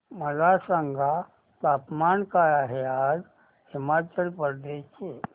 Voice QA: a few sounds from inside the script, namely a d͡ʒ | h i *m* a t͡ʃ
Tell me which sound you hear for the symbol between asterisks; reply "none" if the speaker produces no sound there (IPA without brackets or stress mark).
m